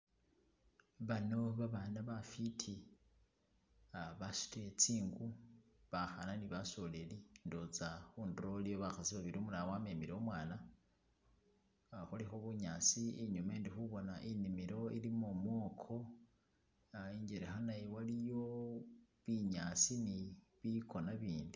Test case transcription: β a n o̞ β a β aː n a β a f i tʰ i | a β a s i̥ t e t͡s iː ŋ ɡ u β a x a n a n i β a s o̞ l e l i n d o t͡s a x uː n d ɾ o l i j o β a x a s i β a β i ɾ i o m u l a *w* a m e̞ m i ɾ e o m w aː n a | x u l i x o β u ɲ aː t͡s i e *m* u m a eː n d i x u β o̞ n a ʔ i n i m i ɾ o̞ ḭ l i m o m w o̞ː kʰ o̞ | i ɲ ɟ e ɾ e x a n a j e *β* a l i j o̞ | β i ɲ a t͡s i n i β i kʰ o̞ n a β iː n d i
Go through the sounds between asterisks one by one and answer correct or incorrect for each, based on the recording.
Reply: correct, incorrect: ɲ, incorrect: w

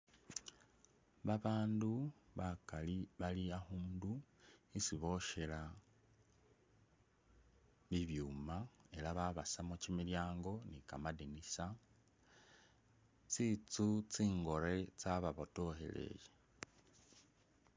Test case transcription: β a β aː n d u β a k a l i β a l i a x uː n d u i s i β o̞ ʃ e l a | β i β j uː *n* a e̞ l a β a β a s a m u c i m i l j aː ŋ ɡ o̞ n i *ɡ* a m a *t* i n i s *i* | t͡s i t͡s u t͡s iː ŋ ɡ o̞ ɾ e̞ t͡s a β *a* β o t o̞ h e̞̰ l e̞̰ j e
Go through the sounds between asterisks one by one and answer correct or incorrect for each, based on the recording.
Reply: incorrect: m, incorrect: k, incorrect: d, incorrect: a, correct

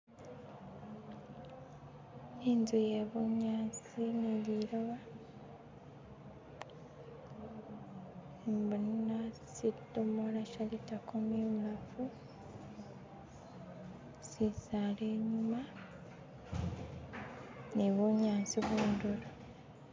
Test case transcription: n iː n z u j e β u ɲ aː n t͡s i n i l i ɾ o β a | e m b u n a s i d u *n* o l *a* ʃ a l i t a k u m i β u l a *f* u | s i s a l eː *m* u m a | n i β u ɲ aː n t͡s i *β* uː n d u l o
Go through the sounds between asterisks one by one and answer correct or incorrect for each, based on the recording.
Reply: incorrect: m, correct, correct, incorrect: ɲ, correct

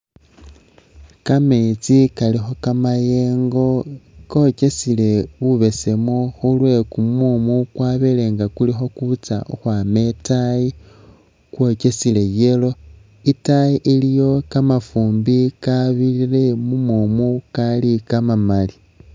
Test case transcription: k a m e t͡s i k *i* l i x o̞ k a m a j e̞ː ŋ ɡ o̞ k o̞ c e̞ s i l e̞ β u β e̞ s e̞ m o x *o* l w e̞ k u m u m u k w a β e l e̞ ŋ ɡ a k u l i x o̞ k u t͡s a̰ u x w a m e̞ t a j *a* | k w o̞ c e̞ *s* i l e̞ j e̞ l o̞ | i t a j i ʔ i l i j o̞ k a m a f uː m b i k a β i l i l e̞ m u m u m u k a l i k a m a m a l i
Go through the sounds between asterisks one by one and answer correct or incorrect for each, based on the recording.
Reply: incorrect: a, incorrect: u, incorrect: i, correct

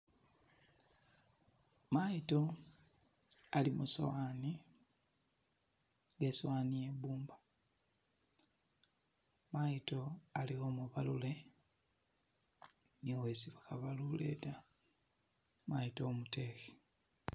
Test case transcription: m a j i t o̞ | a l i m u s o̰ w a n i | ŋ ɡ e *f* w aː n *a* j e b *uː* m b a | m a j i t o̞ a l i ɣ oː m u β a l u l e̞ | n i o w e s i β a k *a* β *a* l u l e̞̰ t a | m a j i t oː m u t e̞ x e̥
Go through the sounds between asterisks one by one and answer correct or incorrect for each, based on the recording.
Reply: incorrect: s, incorrect: i, correct, correct, correct

